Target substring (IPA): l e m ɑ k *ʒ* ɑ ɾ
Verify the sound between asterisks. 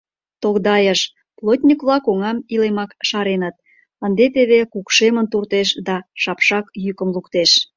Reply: incorrect: ʃ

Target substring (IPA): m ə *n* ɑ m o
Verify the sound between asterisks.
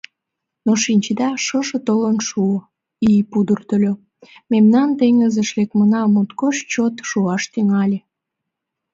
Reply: correct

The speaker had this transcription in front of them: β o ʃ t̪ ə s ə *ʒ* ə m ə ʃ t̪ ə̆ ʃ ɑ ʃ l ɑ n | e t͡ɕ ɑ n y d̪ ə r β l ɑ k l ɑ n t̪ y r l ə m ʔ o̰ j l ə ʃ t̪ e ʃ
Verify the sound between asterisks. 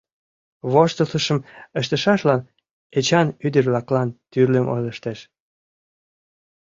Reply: incorrect: ʃ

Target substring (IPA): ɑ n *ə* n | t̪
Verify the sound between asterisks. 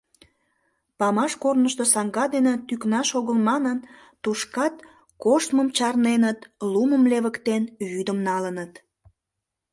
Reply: correct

